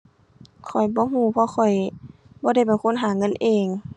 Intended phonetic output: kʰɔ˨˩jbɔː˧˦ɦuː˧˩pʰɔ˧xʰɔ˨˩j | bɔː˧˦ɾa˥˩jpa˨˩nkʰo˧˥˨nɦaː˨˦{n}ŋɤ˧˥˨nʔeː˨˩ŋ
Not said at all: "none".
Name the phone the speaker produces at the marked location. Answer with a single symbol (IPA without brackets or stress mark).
none